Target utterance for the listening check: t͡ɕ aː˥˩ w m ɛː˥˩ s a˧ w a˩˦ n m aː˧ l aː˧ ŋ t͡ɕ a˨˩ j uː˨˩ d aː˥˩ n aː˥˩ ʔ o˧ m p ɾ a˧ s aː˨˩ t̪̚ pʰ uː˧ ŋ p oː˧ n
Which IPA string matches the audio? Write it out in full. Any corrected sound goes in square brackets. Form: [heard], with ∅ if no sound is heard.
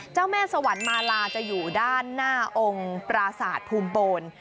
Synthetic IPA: t͡ɕ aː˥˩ w m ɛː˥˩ s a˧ w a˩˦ n m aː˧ l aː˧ [∅] t͡ɕ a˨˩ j uː˨˩ d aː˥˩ [nː] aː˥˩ ʔ o˧ [ŋ] p ɾ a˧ s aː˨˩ t̪̚ pʰ uː˧ [m] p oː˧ n